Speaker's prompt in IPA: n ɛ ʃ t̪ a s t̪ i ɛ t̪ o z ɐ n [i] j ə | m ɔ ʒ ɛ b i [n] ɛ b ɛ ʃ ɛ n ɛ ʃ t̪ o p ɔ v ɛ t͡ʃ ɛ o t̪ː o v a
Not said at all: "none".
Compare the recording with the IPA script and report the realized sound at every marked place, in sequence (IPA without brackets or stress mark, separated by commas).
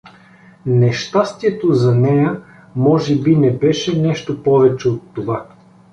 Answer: ɛ, n